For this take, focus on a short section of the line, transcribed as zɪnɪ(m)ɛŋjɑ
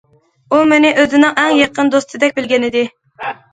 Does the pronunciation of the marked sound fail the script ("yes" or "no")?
yes